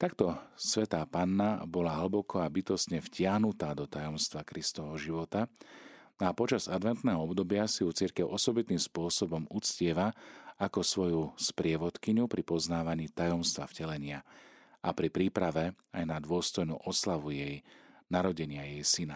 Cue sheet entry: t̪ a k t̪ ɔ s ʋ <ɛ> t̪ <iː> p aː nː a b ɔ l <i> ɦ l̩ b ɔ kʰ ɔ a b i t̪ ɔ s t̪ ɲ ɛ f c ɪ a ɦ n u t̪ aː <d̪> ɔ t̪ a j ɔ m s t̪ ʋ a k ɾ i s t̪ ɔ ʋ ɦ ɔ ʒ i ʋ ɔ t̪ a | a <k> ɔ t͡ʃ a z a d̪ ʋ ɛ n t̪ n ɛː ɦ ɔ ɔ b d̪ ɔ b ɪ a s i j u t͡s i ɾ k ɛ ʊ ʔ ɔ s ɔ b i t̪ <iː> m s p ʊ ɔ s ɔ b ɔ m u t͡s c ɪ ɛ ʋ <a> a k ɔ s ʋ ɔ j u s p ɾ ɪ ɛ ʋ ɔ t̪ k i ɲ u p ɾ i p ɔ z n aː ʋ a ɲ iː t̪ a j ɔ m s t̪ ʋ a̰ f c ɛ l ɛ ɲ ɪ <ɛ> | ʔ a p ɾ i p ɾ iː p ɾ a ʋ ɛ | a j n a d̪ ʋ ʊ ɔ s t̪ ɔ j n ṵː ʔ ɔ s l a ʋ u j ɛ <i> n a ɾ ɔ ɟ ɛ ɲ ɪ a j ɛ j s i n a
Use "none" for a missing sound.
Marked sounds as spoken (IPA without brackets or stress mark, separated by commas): ɛ, aː, a, d̪, p, iː, a, a, j